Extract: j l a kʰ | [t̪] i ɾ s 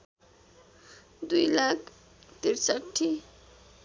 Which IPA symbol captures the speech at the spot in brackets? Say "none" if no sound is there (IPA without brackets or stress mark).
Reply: t̪